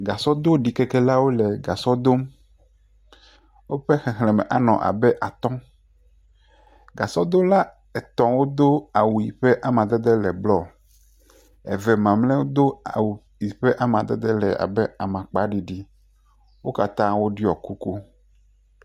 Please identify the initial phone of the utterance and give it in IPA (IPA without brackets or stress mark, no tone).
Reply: ɡ